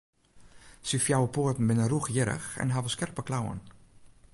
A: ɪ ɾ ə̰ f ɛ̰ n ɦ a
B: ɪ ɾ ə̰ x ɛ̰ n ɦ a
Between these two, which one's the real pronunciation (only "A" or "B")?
B